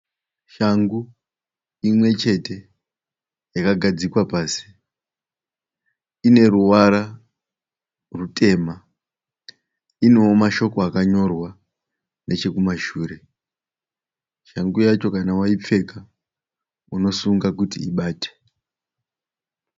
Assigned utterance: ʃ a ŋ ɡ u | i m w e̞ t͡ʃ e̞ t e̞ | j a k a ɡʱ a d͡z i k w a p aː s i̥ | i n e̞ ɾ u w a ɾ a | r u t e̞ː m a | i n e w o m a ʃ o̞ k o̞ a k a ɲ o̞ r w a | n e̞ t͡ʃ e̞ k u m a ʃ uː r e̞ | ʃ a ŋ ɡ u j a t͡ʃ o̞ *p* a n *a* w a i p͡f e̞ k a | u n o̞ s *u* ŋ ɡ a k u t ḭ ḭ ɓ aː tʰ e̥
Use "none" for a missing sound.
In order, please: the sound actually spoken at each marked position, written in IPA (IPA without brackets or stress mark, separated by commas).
k, a, u